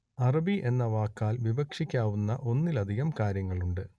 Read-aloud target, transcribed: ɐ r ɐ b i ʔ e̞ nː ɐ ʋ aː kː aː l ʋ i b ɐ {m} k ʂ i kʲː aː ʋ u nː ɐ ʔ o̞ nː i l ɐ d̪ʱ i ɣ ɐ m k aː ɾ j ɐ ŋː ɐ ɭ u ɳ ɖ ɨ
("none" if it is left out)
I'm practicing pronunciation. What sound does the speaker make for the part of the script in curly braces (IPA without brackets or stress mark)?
none